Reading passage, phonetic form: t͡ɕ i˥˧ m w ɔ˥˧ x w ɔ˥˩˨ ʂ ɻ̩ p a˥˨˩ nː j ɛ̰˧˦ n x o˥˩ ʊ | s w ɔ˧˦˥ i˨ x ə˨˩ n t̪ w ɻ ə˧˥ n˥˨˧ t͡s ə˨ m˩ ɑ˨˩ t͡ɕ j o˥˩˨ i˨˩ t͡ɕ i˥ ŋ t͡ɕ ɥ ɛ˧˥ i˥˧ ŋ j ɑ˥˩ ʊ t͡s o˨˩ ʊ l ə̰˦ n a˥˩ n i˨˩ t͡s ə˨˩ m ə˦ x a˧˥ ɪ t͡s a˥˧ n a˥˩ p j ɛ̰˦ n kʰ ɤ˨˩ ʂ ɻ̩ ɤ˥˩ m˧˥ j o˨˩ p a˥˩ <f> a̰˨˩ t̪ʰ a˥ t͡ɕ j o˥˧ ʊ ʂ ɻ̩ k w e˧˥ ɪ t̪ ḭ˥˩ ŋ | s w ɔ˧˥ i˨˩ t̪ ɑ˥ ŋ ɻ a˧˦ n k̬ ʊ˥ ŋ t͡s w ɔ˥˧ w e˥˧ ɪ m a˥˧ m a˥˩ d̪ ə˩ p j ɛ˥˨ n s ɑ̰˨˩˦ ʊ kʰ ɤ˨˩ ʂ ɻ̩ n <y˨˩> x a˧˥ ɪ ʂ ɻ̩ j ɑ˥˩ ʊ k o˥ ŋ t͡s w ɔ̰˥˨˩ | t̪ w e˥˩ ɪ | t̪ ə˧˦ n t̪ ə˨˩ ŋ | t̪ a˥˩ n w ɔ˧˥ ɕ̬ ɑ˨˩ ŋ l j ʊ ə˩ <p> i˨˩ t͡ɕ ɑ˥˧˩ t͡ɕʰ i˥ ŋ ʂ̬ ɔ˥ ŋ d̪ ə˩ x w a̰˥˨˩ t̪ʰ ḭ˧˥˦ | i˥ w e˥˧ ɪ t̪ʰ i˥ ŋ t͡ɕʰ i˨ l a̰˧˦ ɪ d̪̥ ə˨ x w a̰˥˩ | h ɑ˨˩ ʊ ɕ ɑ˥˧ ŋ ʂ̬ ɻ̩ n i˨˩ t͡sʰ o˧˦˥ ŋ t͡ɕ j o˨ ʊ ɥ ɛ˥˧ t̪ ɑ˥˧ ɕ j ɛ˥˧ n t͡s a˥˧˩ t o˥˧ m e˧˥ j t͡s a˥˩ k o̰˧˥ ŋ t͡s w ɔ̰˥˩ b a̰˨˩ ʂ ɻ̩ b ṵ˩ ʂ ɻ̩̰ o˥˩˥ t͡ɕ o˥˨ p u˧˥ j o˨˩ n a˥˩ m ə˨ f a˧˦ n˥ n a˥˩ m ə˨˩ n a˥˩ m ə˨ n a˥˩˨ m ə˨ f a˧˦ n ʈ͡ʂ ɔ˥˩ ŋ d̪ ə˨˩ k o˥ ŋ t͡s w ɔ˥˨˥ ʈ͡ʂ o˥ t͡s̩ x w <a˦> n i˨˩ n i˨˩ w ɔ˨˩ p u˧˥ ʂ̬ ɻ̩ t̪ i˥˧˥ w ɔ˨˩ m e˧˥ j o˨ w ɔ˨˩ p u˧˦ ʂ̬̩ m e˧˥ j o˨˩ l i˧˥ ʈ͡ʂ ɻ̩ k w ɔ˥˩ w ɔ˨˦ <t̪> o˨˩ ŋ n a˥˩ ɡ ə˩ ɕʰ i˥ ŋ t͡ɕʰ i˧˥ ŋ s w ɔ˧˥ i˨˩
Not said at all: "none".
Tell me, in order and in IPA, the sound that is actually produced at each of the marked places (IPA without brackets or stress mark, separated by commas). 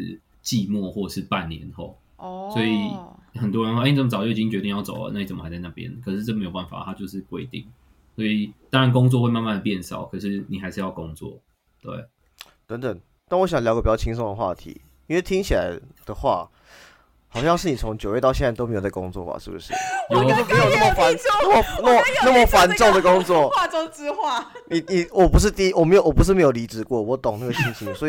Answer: f, i˨˩, p, a˥˩, t̪